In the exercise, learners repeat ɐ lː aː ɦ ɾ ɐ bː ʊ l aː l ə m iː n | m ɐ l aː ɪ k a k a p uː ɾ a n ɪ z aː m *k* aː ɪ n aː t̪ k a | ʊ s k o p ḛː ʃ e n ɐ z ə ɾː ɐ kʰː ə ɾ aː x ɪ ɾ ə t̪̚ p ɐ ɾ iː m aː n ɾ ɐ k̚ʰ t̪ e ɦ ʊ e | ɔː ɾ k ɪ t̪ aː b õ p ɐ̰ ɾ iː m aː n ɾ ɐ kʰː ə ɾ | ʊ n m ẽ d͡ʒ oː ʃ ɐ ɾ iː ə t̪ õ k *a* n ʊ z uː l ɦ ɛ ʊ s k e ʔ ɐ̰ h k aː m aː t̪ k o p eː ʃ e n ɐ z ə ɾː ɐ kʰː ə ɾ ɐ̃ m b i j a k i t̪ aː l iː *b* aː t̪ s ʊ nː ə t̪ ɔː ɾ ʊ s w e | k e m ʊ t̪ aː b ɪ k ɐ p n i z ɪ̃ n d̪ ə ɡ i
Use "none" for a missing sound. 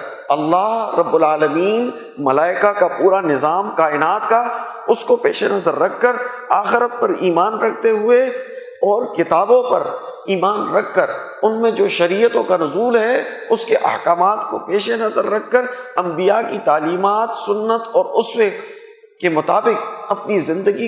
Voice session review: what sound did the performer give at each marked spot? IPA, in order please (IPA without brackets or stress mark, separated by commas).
k, a, m